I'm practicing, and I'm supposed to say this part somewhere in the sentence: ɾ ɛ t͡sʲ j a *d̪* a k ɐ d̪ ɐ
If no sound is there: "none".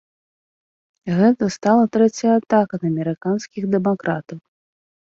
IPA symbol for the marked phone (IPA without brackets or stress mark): t̪